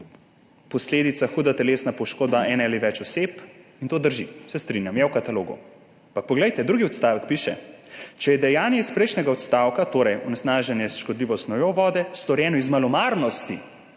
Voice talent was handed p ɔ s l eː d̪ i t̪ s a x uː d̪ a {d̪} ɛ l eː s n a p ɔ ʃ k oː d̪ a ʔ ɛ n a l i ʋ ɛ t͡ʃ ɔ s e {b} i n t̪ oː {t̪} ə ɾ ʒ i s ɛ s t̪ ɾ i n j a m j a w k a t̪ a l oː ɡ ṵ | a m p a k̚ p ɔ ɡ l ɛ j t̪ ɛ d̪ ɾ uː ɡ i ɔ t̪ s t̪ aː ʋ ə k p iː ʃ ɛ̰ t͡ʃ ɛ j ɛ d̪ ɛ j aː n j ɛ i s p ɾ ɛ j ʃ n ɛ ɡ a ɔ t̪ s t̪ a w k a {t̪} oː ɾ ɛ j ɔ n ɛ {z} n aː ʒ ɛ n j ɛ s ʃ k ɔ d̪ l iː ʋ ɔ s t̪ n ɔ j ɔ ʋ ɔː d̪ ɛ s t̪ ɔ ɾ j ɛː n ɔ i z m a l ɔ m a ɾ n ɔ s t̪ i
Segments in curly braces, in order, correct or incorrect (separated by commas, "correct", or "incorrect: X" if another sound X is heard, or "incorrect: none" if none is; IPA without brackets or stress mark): incorrect: t̪, incorrect: p, incorrect: d̪, correct, incorrect: s